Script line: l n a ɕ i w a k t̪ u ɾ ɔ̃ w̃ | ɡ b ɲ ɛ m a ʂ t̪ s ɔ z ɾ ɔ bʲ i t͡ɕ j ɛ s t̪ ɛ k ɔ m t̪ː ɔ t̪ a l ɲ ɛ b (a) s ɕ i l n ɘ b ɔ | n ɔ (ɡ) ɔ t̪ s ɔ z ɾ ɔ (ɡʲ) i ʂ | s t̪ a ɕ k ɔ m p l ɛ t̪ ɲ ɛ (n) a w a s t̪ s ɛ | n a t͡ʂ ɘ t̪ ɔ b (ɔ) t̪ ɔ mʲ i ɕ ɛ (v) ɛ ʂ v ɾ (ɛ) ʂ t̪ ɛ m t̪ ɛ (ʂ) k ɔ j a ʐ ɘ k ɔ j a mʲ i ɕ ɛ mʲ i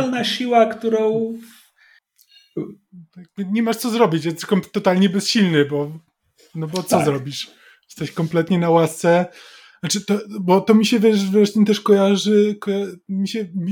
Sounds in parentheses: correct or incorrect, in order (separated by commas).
incorrect, incorrect, incorrect, correct, correct, correct, correct, correct